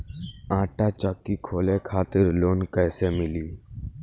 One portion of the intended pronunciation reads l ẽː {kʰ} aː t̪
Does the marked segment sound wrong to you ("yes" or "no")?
no